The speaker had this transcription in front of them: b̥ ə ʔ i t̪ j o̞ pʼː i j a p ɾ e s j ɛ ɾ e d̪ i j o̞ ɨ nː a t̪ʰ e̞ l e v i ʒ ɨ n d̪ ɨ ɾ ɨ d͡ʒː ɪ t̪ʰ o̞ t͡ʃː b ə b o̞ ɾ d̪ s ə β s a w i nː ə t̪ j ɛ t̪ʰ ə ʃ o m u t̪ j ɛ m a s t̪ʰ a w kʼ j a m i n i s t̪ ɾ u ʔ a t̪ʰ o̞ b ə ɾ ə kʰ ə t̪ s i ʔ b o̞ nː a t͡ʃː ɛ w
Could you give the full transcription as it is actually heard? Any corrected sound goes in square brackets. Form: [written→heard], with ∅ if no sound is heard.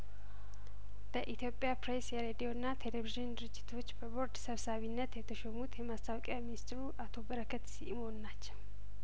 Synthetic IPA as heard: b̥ ə ʔ i t̪ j o̞ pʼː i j a p ɾ e s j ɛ ɾ e d̪ i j o̞ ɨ nː a t̪ʰ e̞ l e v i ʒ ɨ n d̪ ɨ ɾ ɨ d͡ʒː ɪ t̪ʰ o̞ t͡ʃː b ə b o̞ ɾ d̪ s ə β s a [w→β] i nː ə t̪ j ɛ t̪ʰ ə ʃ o m u t̪ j ɛ m a s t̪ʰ a w kʼ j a m i n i s t̪ ɾ u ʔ a t̪ʰ o̞ b ə ɾ ə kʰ ə t̪ s i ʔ [b→m] o̞ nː a t͡ʃː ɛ w